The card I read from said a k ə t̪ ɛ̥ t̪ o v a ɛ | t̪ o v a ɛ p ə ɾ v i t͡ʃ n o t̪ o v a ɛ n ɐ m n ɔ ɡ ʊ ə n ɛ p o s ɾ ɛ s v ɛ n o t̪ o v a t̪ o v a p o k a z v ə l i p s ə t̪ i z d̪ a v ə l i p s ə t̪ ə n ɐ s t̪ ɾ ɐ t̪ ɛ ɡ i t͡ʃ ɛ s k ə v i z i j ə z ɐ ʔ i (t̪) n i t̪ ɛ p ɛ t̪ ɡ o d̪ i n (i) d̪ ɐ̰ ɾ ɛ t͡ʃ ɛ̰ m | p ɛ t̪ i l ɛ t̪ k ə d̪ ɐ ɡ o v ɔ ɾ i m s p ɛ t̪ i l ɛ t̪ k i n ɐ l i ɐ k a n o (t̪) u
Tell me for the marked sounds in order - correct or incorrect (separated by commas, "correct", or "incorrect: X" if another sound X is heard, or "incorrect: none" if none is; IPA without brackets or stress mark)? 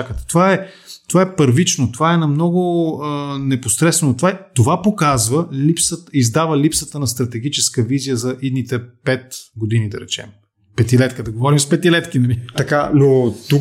incorrect: d̪, correct, correct